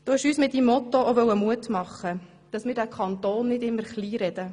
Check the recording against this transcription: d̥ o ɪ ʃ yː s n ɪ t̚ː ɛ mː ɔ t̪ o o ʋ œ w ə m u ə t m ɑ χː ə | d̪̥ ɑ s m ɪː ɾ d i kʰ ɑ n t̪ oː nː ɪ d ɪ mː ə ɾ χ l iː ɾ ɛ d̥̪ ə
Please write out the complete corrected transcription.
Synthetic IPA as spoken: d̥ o ɪ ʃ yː s m ɪ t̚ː i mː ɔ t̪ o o ʋ œ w ə m u ə t m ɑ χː ə | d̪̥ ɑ s m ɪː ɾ d æ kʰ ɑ n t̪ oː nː ɪ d ɪ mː ə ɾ χ l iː ɾ ɛ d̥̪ ə